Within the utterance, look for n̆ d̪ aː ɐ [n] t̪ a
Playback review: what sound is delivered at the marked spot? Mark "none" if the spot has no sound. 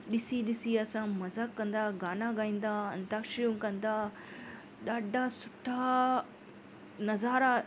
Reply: n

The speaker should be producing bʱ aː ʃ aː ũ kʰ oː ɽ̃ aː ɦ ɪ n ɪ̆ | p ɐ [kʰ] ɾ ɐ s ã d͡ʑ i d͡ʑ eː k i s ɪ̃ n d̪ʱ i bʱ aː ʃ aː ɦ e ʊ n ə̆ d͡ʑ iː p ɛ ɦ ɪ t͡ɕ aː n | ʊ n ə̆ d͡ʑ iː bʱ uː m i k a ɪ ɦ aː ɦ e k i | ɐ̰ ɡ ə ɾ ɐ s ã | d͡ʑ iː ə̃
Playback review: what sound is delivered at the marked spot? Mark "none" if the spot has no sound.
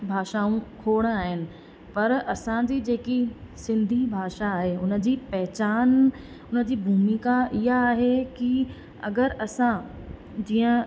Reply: none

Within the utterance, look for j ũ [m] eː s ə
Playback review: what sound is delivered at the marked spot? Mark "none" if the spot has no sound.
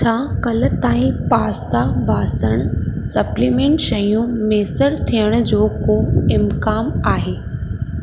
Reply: m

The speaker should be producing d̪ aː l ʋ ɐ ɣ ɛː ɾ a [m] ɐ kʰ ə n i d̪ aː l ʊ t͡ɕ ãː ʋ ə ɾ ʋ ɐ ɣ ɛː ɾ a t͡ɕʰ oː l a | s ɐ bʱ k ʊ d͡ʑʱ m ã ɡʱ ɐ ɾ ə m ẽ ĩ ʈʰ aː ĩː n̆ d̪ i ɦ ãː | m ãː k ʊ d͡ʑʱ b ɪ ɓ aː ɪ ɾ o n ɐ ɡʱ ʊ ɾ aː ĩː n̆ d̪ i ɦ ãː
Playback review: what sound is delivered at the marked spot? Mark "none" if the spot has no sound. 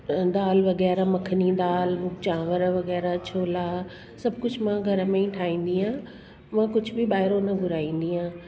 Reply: m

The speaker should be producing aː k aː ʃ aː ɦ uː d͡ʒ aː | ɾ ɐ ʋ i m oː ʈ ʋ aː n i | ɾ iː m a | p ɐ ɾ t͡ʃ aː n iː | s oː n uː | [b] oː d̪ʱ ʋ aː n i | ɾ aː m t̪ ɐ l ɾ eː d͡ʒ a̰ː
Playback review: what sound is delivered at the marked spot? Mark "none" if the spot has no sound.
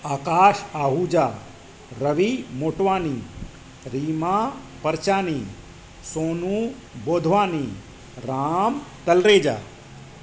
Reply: b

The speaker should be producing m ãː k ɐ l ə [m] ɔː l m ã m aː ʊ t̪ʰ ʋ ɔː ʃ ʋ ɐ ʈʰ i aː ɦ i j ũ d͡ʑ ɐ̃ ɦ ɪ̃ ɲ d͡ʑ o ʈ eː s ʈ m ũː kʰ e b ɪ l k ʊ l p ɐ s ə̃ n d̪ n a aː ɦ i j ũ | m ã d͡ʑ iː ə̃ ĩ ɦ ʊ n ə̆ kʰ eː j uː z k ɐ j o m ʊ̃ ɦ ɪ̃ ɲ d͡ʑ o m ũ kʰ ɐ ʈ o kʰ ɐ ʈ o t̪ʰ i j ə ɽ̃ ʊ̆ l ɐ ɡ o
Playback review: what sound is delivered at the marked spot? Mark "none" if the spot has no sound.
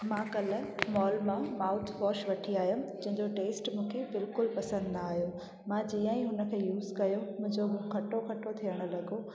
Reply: m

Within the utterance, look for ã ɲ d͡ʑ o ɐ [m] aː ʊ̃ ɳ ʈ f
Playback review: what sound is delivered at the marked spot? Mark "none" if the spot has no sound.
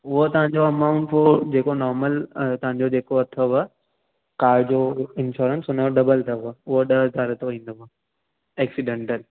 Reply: m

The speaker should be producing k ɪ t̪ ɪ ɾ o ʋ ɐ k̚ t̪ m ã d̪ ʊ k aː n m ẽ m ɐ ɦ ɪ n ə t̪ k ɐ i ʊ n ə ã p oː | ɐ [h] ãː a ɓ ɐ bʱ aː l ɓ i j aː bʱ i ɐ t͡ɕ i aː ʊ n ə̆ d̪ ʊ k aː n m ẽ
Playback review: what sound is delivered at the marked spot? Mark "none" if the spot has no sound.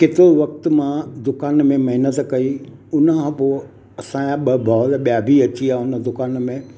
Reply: s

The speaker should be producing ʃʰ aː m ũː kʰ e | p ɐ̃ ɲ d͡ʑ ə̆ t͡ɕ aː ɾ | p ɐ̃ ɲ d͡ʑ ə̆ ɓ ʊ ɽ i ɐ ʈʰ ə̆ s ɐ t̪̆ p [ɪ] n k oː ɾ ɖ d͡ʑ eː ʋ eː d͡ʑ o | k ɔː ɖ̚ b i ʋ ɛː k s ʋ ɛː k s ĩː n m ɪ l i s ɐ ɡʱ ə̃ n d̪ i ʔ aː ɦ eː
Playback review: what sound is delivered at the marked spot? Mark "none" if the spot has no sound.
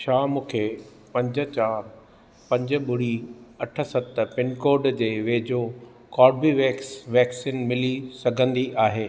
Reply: ɪ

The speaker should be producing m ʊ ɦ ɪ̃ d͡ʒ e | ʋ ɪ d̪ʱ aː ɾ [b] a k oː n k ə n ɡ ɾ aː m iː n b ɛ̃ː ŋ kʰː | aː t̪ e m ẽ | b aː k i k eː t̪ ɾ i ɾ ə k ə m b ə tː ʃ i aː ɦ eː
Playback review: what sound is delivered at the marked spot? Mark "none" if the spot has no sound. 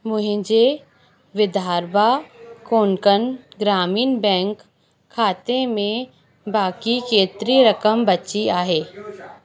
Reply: b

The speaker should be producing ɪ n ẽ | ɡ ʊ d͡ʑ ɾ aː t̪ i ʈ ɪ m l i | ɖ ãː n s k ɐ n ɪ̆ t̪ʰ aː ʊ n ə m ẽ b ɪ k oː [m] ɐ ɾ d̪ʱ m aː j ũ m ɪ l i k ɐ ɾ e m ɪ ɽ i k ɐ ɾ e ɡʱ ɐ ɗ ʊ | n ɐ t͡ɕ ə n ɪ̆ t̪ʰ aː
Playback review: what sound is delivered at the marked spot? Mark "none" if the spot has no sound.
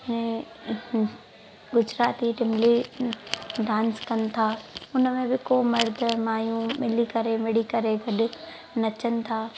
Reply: m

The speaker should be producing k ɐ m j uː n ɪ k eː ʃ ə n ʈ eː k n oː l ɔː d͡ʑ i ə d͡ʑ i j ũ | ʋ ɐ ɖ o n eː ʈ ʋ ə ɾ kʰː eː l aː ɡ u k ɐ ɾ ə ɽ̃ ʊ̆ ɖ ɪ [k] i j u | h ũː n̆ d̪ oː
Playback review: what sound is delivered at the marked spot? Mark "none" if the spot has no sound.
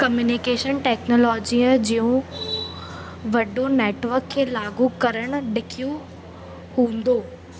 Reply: kʰ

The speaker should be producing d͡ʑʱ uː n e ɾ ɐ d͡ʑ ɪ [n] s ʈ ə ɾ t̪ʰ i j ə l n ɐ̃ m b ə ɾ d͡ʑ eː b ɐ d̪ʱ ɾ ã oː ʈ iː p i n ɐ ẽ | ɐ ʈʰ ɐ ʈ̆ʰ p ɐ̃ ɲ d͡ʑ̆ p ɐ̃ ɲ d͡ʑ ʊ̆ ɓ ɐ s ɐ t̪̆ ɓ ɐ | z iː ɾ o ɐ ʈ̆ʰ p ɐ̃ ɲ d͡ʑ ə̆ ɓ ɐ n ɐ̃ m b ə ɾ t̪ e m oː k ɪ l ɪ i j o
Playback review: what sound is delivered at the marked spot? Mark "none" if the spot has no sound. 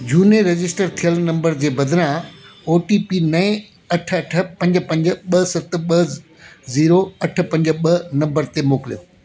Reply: none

